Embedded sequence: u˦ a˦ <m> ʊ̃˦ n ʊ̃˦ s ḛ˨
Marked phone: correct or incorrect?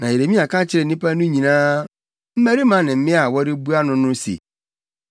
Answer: incorrect